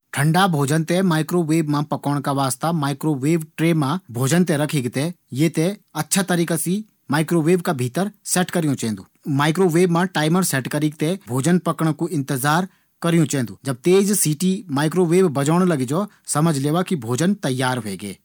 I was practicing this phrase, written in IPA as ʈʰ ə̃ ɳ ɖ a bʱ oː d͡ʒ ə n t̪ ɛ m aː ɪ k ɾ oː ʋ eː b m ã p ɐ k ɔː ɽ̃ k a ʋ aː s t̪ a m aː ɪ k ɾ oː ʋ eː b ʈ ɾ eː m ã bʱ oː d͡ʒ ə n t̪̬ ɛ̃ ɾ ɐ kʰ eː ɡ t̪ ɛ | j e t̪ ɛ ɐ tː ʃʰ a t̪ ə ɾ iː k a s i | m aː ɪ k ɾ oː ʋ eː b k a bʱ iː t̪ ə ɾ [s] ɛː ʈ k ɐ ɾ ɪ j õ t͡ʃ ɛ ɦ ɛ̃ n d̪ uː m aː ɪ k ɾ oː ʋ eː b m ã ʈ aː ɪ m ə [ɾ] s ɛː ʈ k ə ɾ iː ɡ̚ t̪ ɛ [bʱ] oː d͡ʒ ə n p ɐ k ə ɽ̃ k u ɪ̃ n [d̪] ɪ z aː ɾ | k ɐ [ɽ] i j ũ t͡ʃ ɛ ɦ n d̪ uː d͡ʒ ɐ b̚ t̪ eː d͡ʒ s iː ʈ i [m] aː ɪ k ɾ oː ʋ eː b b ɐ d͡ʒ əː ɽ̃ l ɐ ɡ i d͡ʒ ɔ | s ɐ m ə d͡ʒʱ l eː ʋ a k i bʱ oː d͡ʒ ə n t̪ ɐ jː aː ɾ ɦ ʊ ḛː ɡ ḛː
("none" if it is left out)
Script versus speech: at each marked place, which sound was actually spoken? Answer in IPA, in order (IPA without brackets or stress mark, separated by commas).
s, ɾ, bʱ, t̪, ɾ, m